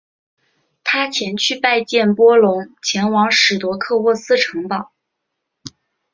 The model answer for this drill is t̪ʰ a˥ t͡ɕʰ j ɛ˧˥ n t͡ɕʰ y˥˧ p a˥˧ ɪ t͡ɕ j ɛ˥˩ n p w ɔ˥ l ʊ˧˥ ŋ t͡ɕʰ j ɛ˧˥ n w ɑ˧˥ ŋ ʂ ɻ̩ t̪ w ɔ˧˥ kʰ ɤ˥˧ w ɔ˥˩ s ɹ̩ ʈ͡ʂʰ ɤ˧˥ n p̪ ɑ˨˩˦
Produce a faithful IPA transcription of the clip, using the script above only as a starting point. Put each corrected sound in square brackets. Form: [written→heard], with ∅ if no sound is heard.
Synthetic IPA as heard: t̪ʰ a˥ t͡ɕʰ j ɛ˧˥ n t͡ɕʰ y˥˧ p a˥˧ ɪ t͡ɕ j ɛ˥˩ n p w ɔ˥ l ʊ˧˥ ŋ t͡ɕʰ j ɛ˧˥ n w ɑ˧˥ ŋ ʂ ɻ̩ t̪ w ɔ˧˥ kʰ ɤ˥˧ w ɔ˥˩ s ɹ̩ ʈ͡ʂʰ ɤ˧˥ [n→ŋ] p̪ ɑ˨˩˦